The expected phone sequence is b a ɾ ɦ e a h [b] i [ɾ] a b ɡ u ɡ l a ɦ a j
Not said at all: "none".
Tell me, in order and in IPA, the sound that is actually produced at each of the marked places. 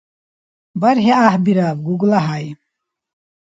b, ɾ

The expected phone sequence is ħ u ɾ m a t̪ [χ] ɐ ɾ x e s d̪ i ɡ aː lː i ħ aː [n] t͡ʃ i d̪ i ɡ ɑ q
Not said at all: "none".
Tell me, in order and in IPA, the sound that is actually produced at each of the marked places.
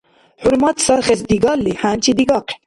s, n

